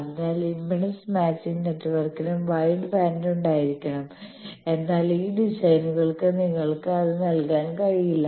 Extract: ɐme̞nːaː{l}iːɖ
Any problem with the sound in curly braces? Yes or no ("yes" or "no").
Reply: no